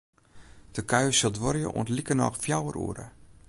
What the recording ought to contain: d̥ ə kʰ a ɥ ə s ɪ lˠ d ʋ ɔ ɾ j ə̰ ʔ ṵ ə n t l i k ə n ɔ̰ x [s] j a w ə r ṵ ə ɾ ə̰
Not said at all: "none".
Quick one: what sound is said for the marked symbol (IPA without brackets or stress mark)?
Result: f